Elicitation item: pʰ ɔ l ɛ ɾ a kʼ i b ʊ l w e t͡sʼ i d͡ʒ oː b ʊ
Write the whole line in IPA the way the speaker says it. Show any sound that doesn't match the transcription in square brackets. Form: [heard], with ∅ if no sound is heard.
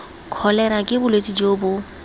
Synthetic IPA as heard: [kʰ] ɔ l ɛ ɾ a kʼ [ɪ] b ʊ l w e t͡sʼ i d͡ʒ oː b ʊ